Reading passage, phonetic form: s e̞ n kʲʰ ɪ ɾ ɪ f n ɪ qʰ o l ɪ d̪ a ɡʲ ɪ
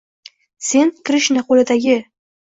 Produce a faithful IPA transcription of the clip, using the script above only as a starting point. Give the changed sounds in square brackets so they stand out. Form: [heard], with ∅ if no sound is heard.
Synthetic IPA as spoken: s e̞ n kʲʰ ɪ ɾ ɪ [ʃ] n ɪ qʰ o l ɪ d̪ a ɡʲ ɪ